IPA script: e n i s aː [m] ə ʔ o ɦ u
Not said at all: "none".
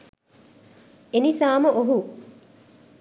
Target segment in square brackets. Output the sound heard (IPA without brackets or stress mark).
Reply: m